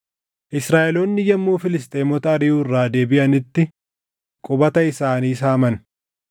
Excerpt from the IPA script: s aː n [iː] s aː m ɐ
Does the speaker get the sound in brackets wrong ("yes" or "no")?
no